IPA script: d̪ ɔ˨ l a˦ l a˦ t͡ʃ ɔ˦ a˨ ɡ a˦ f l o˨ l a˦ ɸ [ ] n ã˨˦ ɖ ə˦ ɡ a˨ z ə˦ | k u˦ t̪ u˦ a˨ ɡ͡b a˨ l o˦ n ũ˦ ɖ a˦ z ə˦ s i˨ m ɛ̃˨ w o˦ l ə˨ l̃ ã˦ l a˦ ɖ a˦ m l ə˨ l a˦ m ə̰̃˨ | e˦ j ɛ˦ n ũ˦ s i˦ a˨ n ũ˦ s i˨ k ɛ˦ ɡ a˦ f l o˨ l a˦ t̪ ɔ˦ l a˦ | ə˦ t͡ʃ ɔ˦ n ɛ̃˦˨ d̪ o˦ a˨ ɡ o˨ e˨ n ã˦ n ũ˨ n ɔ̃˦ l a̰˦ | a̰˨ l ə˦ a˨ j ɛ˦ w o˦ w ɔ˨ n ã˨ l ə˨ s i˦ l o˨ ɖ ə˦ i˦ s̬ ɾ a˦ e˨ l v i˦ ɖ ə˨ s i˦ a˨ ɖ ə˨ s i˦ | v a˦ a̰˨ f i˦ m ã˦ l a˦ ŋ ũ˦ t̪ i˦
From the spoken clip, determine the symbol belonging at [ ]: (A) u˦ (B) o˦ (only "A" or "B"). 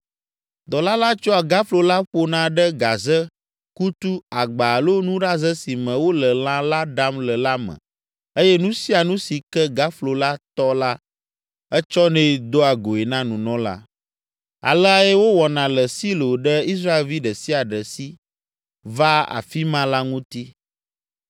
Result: B